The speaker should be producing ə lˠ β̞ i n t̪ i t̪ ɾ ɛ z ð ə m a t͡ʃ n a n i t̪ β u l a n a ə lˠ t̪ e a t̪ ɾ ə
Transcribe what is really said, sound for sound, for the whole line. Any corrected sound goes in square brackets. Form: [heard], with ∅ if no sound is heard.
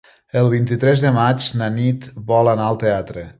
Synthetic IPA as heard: ə lˠ β̞ i n t̪ i t̪ ɾ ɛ z ð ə m a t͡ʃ n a n i t̪ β [ɔ] l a n a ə lˠ t̪ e a t̪ ɾ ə